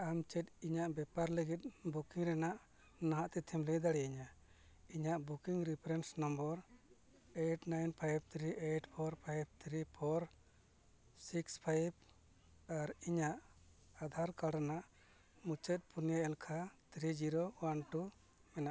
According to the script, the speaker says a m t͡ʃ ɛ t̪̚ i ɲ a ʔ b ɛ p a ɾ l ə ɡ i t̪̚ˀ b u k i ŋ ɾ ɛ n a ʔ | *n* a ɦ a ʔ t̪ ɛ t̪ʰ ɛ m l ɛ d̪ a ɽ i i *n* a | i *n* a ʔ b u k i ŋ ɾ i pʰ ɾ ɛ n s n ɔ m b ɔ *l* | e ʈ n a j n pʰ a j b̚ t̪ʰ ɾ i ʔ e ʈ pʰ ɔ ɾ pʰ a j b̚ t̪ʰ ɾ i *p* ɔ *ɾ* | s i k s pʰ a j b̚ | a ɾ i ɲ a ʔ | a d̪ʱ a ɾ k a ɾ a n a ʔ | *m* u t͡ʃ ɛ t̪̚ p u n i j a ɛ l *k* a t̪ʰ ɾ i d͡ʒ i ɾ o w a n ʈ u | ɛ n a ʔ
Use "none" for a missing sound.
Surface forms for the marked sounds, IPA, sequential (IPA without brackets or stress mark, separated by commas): n, ɲ, ɲ, ɾ, pʰ, ɾ, m, kʰ